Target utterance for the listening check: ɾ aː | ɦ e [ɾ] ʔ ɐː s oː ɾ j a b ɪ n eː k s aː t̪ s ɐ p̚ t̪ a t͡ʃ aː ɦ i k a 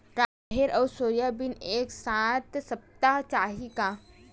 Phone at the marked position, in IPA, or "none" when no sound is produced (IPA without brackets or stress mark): ɾ